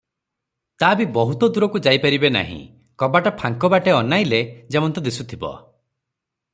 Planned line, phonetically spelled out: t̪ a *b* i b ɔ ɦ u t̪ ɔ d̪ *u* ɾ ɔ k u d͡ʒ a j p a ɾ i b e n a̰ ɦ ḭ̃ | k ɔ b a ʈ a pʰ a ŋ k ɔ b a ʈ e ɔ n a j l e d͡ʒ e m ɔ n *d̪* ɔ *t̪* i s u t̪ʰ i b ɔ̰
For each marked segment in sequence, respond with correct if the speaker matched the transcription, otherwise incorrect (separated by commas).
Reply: correct, correct, incorrect, incorrect